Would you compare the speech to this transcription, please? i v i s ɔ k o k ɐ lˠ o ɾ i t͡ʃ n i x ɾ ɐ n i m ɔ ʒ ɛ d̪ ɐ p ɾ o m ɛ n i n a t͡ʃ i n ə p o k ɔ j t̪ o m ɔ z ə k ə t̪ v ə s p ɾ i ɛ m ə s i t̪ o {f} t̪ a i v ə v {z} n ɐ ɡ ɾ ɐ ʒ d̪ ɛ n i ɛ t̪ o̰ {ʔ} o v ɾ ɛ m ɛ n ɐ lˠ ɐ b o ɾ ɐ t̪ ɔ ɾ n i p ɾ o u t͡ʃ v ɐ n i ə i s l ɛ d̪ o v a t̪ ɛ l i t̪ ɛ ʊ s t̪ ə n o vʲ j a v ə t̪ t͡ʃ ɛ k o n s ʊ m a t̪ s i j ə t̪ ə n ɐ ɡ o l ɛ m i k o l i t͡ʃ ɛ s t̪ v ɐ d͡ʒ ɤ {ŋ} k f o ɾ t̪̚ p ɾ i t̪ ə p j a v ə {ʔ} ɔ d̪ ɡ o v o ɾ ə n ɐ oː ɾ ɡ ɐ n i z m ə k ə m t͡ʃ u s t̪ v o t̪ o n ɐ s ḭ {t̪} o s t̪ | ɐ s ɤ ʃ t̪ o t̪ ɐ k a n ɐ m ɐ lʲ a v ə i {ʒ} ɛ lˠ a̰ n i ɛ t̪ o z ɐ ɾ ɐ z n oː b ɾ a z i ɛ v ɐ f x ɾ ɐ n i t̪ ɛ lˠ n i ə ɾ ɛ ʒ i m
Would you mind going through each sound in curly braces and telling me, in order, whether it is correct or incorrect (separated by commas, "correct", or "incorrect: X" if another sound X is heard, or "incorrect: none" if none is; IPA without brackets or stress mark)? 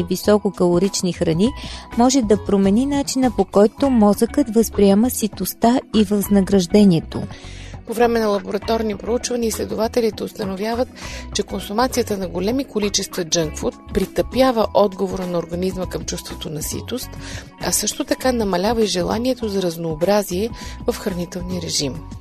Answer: incorrect: s, correct, incorrect: p, correct, correct, correct, correct